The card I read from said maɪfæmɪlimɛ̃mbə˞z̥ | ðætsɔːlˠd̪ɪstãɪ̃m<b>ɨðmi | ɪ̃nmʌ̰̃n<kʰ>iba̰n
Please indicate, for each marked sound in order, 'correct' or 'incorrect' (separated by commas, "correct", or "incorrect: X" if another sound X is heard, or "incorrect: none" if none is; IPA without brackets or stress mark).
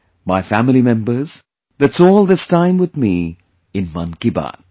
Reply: incorrect: w, incorrect: k